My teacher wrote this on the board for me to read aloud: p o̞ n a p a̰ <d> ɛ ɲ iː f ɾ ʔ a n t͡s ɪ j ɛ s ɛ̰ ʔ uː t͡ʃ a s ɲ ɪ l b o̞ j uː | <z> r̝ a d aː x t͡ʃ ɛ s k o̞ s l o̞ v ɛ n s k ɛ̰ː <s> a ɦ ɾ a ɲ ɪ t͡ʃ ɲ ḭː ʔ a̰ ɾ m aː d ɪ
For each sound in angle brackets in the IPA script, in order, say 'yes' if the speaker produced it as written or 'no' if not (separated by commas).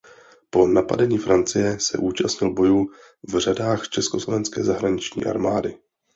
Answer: yes, no, no